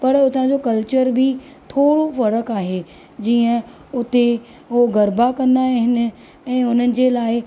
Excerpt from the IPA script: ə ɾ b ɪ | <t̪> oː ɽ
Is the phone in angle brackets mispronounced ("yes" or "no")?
yes